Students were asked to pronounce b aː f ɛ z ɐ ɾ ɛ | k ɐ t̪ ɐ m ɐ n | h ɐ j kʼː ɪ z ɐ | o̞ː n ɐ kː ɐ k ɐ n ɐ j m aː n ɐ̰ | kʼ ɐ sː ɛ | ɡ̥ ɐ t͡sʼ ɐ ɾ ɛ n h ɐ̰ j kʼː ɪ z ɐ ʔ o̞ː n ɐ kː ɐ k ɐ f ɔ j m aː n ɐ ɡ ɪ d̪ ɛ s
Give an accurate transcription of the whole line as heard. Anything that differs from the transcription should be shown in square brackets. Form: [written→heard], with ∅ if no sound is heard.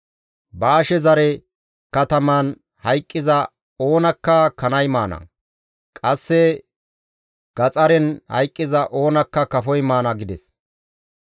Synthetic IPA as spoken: b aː [f→ʃ] ɛ z ɐ ɾ ɛ | k ɐ t̪ ɐ m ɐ n | h ɐ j kʼː ɪ z ɐ | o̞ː n ɐ kː ɐ k ɐ n ɐ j m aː n ɐ̰ | kʼ ɐ sː ɛ | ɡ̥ ɐ t͡sʼ ɐ ɾ ɛ n h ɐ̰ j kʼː ɪ z ɐ ʔ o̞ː n ɐ kː ɐ k ɐ f ɔ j m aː n ɐ ɡ ɪ d̪ ɛ s